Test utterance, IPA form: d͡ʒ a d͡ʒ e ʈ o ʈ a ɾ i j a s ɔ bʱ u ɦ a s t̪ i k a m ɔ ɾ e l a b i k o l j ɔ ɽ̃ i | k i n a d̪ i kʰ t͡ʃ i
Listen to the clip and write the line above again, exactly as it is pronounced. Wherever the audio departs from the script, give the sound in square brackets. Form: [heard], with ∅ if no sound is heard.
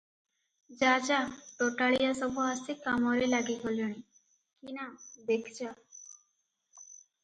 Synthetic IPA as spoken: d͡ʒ a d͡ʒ [a] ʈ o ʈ a [ɭ] i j a s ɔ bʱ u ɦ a s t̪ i k a m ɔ ɾ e l a [ɡ] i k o l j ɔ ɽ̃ i | k i n a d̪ [e] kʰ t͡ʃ [a]